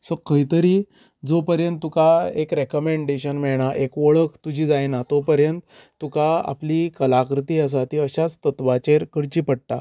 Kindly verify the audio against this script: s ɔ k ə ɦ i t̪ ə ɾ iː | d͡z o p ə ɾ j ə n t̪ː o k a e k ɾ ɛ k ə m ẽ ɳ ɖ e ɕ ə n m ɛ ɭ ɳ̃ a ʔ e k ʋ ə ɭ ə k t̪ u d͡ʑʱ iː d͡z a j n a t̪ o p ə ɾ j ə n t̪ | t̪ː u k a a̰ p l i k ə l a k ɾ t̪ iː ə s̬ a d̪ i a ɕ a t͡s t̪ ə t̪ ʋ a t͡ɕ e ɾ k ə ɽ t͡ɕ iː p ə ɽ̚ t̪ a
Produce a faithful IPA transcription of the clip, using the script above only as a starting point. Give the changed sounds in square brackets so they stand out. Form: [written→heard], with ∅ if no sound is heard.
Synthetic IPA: s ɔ k ə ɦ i t̪ ə ɾ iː | d͡z o p ə ɾ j ə n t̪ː [o→u] k a e k ɾ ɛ k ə m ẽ ɳ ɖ e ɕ ə n m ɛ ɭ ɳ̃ a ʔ e k ʋ ə ɭ ə k t̪ u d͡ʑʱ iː d͡z a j n a t̪ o p ə ɾ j ə n t̪ | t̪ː u k a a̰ p l i k ə l a k ɾ t̪ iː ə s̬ a [d̪→t̪] i [a→ə] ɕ a t͡s t̪ ə t̪ ʋ a t͡ɕ e ɾ k ə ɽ t͡ɕ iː p ə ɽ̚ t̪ a